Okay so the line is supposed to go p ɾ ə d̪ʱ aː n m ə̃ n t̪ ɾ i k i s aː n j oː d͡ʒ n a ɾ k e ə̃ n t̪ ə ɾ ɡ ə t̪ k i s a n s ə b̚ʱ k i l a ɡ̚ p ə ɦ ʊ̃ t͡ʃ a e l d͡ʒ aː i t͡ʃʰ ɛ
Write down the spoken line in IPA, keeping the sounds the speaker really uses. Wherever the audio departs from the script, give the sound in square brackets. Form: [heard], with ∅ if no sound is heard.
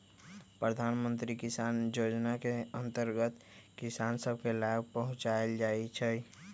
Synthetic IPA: p ɾ ə d̪ʱ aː n m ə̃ n t̪ ɾ i k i s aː n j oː d͡ʒ n a [∅] k e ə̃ n t̪ ə ɾ ɡ ə t̪ k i s a n s ə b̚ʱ k [e] l a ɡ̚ p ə ɦ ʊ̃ t͡ʃ a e l d͡ʒ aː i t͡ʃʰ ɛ